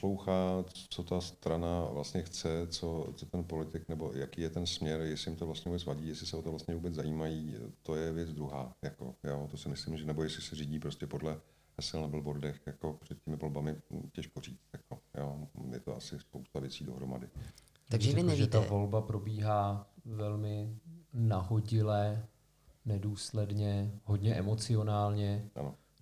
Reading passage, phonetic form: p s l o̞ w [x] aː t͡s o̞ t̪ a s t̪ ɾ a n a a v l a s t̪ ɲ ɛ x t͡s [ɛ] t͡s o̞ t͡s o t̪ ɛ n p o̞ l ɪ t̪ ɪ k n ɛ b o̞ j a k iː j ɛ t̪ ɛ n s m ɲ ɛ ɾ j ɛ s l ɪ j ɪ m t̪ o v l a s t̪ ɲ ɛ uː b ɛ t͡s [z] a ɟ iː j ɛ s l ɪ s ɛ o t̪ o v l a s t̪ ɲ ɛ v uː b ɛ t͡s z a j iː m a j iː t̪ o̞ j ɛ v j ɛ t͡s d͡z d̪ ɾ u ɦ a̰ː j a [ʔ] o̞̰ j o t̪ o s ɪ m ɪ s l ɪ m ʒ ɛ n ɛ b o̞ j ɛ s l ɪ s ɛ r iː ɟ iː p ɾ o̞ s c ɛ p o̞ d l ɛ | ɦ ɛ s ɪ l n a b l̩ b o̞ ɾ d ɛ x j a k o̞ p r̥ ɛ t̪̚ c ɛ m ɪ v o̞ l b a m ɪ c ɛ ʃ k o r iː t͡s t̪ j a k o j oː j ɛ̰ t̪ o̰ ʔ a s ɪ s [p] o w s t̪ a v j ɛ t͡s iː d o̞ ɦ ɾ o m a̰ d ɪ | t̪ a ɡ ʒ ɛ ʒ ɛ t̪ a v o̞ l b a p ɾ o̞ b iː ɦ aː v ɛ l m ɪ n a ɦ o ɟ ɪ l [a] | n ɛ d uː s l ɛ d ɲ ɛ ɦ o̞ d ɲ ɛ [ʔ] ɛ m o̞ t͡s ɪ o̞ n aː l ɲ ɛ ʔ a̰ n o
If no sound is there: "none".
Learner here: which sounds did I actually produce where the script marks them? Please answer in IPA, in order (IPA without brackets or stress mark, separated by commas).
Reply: x, ɛ, v, k, p, ɛ, ʔ